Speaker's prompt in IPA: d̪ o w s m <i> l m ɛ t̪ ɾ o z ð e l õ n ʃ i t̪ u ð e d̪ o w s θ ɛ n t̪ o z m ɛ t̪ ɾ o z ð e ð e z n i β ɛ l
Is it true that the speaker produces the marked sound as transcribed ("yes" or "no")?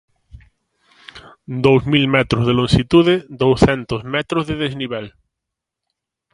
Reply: yes